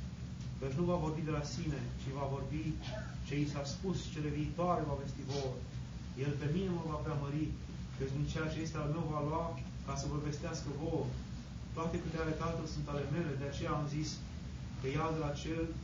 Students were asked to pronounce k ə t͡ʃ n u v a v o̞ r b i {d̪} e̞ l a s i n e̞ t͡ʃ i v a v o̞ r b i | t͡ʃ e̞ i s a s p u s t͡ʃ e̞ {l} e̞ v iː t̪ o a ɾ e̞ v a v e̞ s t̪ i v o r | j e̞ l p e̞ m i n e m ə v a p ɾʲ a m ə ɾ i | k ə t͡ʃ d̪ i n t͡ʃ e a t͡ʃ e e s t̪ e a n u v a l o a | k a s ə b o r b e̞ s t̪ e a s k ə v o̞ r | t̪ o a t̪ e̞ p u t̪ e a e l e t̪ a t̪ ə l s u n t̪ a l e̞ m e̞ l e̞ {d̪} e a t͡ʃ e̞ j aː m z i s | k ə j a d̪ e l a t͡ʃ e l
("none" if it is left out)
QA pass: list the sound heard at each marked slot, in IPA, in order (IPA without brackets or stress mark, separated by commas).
d̪, l, d̪